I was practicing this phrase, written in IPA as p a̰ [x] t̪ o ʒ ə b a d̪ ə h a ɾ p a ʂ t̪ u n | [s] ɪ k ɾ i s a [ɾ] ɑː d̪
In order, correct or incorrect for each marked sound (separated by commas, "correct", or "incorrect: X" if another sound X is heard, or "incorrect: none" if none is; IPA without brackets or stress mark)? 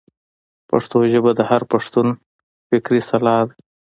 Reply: incorrect: ʂ, incorrect: f, incorrect: l